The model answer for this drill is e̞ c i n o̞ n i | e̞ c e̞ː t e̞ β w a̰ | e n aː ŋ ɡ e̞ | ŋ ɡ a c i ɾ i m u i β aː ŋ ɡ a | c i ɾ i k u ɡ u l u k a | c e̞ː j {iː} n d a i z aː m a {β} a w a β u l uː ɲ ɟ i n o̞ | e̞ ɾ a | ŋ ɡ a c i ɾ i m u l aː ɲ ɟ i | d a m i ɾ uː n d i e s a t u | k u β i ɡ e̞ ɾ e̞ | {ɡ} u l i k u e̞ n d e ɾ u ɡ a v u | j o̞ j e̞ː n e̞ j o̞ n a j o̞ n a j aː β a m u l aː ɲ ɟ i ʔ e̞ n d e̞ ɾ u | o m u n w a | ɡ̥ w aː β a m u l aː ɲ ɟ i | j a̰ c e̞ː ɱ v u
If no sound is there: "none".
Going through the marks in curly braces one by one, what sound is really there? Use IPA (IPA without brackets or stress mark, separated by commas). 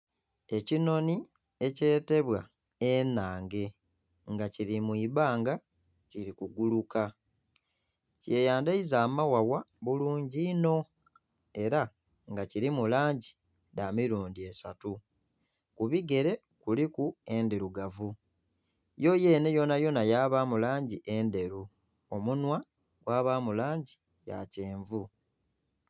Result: aː, w, k